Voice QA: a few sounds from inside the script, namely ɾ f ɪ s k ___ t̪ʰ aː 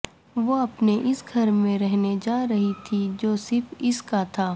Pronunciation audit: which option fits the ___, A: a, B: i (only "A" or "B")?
A